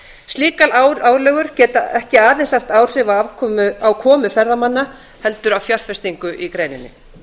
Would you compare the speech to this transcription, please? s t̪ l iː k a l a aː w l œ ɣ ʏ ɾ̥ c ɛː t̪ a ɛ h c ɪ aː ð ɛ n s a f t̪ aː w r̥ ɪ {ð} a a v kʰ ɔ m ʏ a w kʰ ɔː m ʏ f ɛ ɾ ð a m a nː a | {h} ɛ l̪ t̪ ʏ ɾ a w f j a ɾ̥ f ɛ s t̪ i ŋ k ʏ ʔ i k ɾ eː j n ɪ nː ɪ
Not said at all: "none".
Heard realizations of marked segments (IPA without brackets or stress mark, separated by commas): v, h